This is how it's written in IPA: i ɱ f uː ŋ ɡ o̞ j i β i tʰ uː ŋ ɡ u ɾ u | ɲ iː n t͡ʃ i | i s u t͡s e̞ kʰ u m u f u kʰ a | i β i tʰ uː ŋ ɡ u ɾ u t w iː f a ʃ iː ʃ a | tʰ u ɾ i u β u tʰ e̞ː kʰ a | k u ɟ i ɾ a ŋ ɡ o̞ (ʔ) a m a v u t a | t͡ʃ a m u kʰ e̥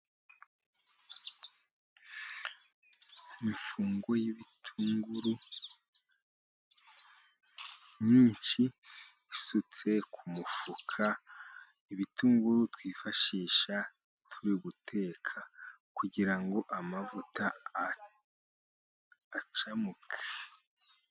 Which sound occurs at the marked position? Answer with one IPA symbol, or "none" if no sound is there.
ʔ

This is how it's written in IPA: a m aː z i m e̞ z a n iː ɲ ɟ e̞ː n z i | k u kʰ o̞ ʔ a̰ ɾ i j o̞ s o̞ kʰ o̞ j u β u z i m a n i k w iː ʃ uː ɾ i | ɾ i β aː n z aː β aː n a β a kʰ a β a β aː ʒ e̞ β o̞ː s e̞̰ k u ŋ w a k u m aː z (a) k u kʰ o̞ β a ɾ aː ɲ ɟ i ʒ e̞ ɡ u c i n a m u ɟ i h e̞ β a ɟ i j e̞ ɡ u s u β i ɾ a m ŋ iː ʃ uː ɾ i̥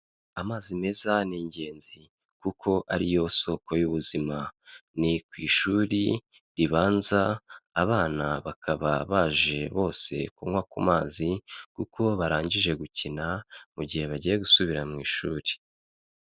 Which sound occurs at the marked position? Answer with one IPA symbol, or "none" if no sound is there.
i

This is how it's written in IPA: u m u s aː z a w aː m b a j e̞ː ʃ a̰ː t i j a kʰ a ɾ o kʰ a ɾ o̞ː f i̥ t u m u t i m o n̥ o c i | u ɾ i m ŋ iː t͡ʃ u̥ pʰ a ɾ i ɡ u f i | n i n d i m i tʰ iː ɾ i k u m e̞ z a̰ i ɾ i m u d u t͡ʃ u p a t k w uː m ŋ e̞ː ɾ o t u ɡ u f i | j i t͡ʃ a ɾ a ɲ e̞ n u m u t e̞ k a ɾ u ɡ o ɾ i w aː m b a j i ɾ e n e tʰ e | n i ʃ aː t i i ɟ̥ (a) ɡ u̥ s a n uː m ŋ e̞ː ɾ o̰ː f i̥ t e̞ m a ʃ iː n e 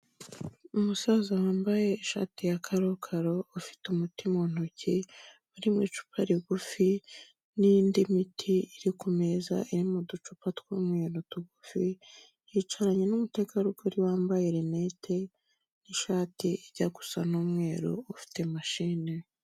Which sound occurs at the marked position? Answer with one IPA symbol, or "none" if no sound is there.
a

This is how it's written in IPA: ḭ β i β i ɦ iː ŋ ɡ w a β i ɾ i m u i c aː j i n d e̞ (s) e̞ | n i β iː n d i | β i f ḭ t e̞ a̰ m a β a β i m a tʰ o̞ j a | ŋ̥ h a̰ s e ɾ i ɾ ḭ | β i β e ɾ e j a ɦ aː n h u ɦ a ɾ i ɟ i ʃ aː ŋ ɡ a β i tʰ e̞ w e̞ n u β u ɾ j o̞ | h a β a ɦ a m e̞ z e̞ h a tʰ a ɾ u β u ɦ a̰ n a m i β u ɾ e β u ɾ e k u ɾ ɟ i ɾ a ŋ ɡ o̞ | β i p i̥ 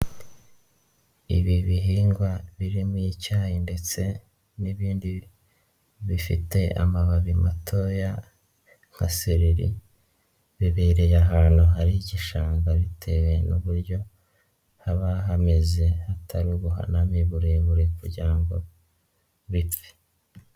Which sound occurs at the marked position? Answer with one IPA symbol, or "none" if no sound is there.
t͡s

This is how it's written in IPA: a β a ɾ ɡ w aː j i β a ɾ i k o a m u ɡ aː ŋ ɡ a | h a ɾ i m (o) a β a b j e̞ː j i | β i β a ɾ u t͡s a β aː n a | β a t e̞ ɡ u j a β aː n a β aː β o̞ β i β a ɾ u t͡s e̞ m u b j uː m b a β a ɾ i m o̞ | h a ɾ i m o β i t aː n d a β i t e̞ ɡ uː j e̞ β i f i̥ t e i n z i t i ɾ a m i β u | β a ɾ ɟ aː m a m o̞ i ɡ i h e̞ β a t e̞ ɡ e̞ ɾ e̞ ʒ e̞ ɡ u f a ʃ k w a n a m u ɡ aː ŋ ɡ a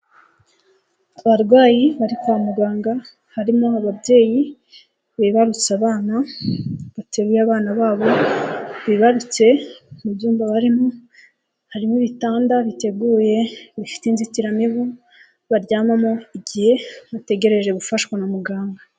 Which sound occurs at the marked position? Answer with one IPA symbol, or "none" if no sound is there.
o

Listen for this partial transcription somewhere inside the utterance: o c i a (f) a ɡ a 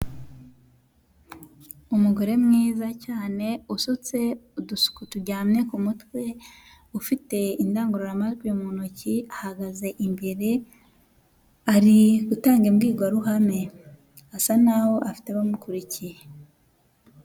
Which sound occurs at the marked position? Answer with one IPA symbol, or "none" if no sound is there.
h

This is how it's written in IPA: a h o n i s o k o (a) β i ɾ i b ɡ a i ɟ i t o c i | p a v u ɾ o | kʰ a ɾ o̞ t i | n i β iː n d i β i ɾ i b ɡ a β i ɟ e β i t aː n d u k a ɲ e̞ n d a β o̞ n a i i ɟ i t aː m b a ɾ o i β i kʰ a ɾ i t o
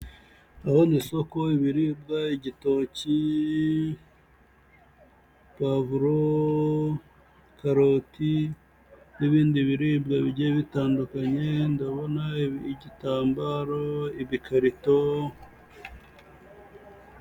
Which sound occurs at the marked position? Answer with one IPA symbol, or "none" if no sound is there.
i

